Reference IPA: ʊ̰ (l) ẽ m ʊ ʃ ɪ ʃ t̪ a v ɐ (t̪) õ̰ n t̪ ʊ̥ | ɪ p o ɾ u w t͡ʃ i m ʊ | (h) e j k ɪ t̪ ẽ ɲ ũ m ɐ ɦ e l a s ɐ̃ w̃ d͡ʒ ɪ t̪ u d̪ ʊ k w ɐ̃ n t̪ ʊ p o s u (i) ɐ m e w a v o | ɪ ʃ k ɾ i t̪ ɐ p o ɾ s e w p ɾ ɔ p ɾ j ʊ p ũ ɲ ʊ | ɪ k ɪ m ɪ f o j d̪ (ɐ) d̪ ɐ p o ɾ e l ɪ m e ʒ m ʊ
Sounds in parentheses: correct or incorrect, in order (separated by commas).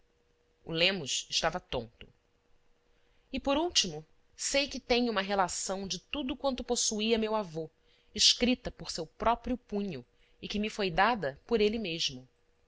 correct, correct, incorrect, correct, incorrect